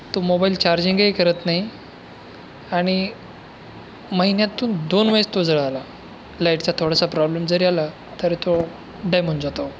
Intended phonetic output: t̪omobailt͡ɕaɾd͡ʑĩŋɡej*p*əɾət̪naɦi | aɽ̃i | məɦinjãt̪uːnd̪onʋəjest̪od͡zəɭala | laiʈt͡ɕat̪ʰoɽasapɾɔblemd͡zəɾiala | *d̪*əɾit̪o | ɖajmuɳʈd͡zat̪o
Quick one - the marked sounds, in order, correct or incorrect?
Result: incorrect: k, incorrect: t̪

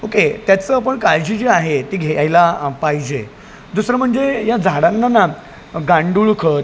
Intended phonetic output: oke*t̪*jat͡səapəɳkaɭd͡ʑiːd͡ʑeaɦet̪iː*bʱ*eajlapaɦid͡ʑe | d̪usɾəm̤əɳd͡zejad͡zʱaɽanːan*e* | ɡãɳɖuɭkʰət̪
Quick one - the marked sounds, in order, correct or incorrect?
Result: correct, incorrect: ɡʱ, incorrect: a

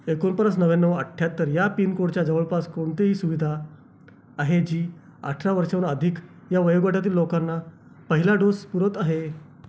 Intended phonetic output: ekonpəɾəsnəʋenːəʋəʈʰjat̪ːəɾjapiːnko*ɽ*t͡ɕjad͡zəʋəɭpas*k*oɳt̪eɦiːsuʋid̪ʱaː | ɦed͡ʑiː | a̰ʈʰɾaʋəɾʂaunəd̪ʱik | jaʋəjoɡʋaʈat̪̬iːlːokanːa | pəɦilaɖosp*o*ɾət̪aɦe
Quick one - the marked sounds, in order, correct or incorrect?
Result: correct, correct, incorrect: u

